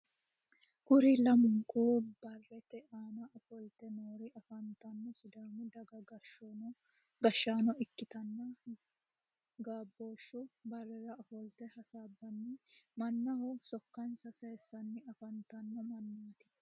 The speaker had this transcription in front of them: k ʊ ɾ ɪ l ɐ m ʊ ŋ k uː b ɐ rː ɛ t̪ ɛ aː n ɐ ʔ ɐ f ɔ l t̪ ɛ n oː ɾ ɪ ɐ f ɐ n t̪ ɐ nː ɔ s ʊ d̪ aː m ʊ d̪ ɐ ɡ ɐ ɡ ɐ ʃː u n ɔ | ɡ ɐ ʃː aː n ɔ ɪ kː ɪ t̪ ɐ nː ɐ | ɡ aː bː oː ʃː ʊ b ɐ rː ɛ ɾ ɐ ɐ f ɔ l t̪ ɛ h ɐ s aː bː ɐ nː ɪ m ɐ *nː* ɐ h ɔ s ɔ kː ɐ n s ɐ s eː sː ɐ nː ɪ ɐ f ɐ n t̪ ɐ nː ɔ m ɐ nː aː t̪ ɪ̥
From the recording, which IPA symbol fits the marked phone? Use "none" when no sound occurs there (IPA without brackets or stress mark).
nː